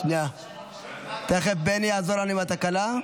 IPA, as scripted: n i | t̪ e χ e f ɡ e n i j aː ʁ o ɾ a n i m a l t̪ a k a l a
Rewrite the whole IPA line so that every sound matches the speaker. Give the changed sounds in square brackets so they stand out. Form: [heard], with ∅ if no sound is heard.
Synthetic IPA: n [a] | t̪ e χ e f [b] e n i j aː [z] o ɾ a n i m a [∅] t̪ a k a l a